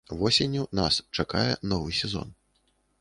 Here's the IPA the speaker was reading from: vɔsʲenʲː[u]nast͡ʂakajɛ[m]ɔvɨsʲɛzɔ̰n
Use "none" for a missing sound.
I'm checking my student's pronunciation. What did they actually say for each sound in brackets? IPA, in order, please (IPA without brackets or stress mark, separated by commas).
u, n